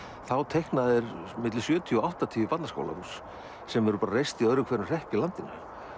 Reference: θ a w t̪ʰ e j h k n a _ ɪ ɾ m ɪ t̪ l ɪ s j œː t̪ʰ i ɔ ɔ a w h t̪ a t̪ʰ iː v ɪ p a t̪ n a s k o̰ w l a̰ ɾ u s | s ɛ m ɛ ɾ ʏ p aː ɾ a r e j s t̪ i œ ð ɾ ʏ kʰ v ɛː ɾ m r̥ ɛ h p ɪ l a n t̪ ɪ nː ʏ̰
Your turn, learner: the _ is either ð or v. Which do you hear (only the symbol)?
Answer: ð